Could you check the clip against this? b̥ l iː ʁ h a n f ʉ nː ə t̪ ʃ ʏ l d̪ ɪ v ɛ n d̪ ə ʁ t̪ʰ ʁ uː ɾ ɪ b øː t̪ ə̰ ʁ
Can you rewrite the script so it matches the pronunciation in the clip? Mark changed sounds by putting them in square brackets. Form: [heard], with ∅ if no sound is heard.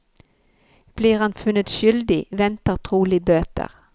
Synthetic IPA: b̥ l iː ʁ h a n f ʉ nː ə t̪ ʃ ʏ l d̪ ɪ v ɛ n [t̪] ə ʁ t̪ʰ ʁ uː [l] ɪ b øː t̪ ə̰ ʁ